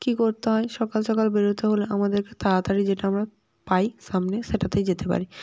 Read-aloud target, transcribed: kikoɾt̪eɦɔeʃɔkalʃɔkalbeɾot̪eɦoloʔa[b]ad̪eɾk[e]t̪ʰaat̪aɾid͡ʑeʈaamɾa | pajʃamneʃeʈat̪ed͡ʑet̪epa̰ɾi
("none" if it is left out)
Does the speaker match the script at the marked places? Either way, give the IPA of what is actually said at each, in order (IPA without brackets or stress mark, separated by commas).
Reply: m, e